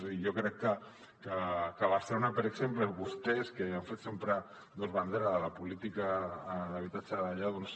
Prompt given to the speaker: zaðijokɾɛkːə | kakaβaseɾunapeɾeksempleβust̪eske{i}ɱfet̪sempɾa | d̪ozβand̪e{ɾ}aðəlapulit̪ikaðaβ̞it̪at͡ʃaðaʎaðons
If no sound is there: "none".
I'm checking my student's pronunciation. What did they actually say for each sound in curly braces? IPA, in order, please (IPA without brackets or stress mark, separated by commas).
a, ɾ